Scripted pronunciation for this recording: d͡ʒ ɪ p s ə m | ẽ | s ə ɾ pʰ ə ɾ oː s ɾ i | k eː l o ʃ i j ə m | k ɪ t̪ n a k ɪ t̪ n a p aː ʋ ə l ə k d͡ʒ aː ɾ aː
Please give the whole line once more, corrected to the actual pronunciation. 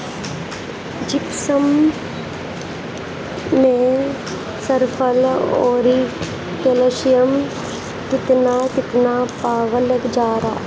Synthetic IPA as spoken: d͡ʒ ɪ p s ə m | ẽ | s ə ɾ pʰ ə l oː ɾ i | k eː l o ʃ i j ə m | k ɪ t̪ n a k ɪ t̪ n a p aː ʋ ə l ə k d͡ʒ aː ɾ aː